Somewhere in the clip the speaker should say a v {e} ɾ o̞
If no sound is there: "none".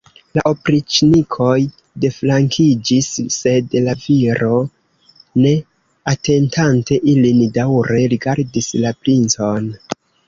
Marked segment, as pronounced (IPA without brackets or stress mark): i